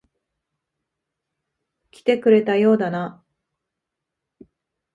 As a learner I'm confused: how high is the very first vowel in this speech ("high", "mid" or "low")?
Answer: high